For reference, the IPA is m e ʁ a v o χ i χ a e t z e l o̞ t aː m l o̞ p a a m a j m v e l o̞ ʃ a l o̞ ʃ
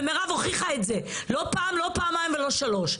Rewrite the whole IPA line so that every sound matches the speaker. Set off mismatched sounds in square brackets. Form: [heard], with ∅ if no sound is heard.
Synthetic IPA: m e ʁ a v o χ i χ a e t z e l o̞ [p] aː m l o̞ p a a m a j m v e l o̞ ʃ a l o̞ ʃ

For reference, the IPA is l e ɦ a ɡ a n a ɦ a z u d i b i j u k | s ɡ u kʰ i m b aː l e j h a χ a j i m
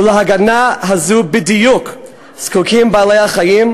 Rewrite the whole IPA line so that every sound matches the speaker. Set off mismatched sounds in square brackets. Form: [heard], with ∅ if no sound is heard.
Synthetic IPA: l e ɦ a ɡ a n a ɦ a z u [b] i [d] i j u k | s [k] u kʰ i m b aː l e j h a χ a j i m

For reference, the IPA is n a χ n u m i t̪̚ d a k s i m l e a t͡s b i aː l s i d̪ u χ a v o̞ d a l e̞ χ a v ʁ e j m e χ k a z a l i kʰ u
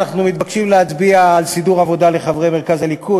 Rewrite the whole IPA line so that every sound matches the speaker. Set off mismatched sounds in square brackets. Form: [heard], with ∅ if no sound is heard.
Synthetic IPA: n a χ n u m i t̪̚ [b] a k [ʃ] i m l e a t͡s b i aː l s i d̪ u [ʁ] a v o̞ d a l e̞ χ a v ʁ e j m e [ʁ] k a z a l i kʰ u

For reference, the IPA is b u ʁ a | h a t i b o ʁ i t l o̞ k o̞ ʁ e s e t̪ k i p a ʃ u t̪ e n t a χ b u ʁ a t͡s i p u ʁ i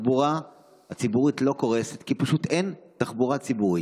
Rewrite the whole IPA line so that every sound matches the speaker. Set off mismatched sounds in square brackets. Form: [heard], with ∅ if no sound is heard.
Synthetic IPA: b u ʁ a | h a [t͡s] i b [u] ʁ i t l o̞ k o̞ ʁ e s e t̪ k i p a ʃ u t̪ e n t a χ b u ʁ a t͡s i [b] u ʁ i

